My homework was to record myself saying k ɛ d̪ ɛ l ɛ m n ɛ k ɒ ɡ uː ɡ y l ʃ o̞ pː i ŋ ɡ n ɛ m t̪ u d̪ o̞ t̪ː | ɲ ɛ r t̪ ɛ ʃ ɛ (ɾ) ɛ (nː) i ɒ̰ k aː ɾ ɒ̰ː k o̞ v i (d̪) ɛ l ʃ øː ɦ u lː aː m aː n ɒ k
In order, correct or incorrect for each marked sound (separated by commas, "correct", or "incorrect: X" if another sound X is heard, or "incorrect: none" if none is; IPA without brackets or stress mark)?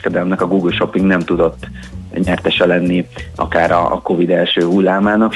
incorrect: l, correct, correct